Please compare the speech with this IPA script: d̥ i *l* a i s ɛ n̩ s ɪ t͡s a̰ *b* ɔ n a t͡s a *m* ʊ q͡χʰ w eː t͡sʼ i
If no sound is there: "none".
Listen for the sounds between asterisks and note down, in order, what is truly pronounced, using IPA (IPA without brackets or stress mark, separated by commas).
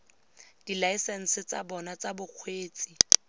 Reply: l, b, b